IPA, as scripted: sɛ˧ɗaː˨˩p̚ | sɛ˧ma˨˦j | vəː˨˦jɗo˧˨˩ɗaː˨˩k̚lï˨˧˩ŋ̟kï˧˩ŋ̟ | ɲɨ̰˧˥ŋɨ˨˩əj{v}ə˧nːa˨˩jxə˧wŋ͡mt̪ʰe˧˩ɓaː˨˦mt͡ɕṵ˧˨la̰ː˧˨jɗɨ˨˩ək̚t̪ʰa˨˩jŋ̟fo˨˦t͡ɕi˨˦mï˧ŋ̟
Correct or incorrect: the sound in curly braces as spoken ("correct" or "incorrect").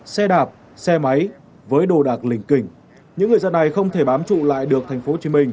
incorrect